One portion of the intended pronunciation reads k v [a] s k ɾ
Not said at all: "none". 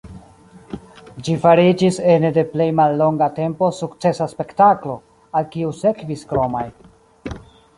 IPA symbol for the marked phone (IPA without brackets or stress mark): i